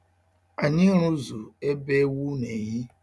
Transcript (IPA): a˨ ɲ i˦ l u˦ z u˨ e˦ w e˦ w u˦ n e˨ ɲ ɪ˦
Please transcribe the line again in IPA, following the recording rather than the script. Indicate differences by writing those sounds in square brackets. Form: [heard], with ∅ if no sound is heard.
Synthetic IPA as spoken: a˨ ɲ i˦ [ɾ] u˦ z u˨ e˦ [b] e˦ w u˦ n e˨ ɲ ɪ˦